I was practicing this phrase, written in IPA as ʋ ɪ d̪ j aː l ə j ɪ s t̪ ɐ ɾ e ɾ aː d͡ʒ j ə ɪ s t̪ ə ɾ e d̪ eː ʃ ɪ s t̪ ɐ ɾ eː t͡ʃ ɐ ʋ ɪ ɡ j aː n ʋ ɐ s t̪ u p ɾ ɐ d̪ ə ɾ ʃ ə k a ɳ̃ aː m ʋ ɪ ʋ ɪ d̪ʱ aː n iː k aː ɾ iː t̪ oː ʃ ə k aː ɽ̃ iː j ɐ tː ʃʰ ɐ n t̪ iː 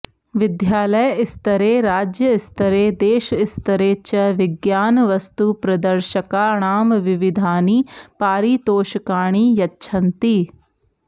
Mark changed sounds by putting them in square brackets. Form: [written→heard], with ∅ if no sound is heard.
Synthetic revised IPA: ʋ ɪ d̪ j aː l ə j ɪ s t̪ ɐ ɾ e ɾ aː d͡ʒ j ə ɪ s t̪ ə ɾ e d̪ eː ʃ ɪ s t̪ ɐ ɾ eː t͡ʃ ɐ ʋ ɪ ɡ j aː n ʋ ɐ s t̪ u p ɾ ɐ d̪ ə ɾ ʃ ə k a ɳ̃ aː m ʋ ɪ ʋ ɪ d̪ʱ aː n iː [k→p] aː ɾ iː t̪ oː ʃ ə k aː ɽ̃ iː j ɐ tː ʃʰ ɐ n t̪ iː